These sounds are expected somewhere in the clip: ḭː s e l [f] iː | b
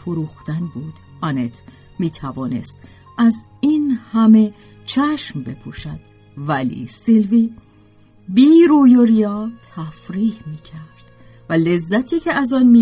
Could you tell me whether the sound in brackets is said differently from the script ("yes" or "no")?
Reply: yes